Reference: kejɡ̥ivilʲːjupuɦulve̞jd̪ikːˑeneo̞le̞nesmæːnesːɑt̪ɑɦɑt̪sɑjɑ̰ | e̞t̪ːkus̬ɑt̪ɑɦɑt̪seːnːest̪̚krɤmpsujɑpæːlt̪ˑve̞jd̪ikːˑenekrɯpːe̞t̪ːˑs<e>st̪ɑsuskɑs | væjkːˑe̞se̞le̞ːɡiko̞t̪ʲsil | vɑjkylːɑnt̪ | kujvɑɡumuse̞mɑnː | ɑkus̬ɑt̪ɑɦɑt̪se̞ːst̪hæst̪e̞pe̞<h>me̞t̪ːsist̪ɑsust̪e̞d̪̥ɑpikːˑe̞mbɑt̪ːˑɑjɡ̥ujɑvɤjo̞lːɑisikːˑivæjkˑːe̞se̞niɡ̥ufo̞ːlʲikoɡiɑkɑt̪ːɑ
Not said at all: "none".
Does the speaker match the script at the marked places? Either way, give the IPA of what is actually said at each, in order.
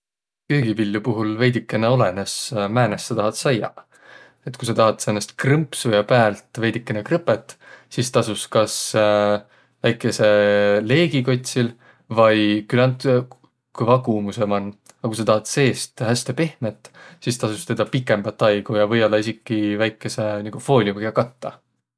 i, h

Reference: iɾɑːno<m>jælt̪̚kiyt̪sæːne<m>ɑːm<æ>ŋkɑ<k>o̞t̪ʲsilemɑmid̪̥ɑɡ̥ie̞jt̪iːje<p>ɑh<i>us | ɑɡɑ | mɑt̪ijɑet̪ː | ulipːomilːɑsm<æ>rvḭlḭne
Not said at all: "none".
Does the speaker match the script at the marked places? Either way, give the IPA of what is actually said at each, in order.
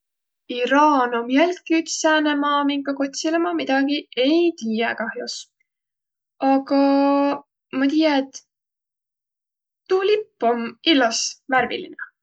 m, m, i, k, k, j, æ

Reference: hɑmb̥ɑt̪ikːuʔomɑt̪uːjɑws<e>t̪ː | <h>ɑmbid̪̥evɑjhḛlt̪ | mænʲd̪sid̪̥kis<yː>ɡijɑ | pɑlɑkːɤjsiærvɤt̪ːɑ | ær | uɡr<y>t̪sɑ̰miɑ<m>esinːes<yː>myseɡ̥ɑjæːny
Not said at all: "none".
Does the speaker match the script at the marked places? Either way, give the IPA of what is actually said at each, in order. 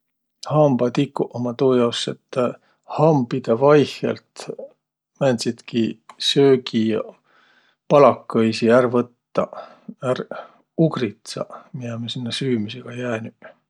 e, h, øː, i, m, yː

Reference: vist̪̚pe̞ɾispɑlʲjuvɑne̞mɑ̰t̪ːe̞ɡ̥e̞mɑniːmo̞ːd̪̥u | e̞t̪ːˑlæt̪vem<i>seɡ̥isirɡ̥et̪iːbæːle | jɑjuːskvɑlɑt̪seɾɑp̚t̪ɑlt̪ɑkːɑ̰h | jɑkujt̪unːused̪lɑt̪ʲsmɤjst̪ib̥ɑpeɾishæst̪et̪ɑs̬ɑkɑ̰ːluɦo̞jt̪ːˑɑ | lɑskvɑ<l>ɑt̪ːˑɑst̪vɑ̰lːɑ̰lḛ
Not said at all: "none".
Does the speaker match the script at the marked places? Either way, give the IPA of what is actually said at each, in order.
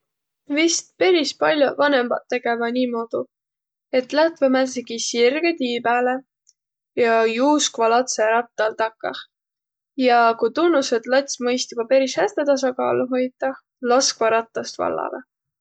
æ, ɾ

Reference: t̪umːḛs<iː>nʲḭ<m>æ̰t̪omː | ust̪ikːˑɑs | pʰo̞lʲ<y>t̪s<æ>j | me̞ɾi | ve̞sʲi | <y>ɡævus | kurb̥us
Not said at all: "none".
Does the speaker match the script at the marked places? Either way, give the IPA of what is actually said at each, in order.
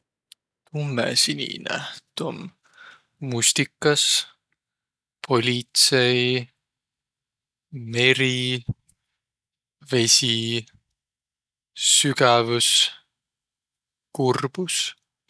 i, n, i, e, y

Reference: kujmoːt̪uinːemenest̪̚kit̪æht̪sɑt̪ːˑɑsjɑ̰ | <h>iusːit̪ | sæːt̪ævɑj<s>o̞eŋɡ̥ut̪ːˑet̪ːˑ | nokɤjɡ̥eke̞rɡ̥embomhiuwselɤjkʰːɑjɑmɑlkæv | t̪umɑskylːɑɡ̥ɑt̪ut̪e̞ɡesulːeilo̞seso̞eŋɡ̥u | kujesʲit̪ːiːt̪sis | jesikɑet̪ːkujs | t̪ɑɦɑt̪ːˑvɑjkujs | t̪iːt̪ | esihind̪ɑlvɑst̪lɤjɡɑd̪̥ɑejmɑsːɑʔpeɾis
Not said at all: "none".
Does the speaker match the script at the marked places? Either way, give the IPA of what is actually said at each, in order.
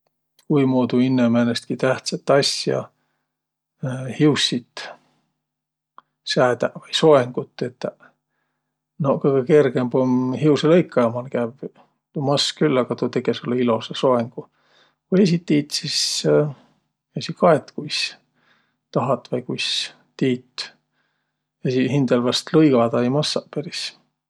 h, s

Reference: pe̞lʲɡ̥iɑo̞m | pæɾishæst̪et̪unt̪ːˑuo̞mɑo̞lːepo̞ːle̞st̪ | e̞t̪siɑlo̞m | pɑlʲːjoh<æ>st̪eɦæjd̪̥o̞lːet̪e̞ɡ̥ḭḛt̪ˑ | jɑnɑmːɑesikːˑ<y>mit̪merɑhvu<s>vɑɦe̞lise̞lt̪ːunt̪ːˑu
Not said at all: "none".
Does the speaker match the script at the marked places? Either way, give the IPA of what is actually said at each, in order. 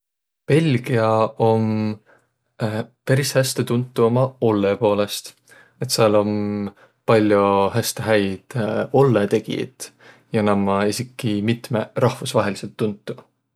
æ, i, s

